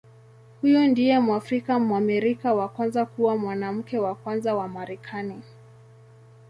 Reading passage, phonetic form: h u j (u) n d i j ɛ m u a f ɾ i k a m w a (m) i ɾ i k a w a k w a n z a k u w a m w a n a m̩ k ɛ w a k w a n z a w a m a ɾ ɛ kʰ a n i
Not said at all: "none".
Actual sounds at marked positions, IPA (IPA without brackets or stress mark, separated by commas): ɔ, m